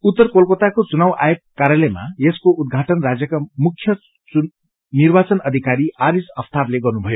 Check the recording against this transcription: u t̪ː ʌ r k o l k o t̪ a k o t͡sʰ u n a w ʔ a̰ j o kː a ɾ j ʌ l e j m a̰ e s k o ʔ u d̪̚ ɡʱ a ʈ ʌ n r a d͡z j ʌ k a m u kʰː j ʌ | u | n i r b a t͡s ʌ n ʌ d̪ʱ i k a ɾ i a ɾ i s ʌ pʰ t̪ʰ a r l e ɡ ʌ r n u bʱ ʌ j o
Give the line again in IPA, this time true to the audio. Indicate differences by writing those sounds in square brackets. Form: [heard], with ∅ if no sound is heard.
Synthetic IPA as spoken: u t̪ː ʌ r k o l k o t̪ a k o [t͡s] u n a w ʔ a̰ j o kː a ɾ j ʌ l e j m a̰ e s k o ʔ u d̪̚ ɡʱ a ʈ ʌ n r a d͡z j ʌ k a m u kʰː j ʌ | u | n i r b a t͡s ʌ n ʌ d̪ʱ i k a ɾ i a ɾ i s ʌ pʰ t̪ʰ a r l e ɡ ʌ r n u bʱ ʌ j o